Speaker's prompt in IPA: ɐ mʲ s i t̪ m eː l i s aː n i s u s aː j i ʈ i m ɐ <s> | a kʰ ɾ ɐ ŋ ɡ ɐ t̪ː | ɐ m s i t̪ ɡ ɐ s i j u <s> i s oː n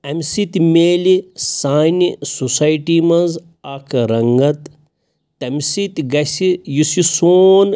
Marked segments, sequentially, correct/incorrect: incorrect, correct

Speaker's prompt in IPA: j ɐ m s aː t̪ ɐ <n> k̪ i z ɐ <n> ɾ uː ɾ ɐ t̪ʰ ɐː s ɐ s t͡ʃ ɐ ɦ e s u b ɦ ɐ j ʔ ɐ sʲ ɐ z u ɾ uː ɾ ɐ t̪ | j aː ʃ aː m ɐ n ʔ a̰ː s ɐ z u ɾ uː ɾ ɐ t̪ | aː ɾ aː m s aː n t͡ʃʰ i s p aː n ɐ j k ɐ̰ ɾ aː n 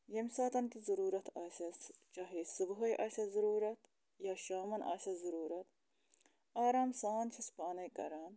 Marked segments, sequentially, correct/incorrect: correct, incorrect

